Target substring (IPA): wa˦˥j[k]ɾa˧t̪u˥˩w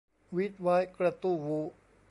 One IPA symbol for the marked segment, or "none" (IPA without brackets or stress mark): k